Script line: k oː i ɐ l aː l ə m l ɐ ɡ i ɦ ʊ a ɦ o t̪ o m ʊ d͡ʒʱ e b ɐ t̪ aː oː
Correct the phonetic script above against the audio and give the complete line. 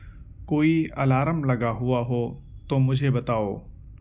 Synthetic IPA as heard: k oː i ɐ l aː ɾ ə m l ɐ ɡ a ɦ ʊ a ɦ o t̪ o m ʊ d͡ʒʱ e b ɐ t̪ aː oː